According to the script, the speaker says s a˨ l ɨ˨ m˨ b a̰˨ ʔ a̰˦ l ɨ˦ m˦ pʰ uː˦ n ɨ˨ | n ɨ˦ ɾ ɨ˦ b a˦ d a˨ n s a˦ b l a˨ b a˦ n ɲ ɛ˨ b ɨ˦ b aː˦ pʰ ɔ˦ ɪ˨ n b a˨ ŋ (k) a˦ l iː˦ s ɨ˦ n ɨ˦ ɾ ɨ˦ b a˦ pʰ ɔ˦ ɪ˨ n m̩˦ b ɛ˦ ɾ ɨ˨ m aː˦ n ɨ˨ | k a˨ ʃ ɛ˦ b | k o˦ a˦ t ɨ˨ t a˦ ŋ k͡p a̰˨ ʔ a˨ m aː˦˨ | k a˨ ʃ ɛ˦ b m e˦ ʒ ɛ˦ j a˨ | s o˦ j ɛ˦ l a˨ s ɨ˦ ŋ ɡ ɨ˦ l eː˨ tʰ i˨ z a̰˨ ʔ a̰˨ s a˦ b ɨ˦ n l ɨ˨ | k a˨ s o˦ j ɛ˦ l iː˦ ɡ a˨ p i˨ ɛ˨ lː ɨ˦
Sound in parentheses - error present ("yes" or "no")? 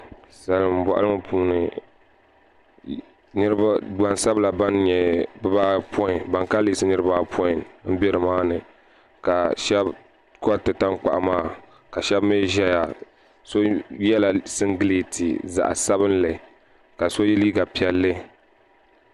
no